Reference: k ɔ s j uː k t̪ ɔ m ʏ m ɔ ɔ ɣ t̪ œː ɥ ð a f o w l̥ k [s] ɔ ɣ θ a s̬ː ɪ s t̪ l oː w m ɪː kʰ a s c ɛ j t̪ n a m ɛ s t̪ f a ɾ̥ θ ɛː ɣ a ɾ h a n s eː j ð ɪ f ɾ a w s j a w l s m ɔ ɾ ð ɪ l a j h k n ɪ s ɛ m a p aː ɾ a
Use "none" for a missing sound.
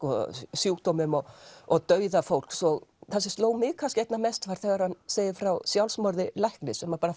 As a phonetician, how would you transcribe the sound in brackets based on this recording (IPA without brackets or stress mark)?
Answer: s